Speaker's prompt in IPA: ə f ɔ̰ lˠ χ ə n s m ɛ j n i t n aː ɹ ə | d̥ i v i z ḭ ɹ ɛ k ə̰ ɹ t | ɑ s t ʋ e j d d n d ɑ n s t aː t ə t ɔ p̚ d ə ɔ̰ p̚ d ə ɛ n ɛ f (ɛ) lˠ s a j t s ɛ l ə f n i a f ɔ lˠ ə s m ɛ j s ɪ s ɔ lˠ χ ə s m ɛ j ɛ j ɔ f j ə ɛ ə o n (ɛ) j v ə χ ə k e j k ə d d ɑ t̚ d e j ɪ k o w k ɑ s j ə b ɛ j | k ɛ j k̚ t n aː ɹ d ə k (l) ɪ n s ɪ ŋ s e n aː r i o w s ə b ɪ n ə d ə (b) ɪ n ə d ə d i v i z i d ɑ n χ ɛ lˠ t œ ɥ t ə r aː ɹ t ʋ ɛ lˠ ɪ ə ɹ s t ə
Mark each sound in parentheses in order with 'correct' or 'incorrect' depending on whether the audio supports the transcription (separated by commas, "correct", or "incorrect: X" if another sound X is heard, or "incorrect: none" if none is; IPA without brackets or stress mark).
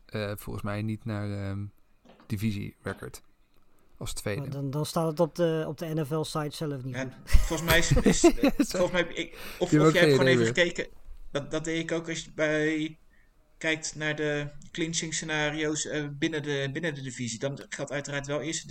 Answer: correct, incorrect: e, correct, correct